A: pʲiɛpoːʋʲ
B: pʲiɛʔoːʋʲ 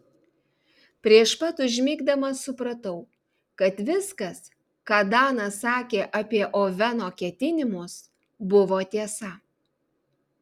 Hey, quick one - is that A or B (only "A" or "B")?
B